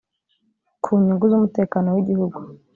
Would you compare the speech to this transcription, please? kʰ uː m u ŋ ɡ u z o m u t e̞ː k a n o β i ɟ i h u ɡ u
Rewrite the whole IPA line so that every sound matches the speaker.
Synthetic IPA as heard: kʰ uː ɲ u ŋ ɡ u z u m u t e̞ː k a n o w i ɟ i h u ɡ u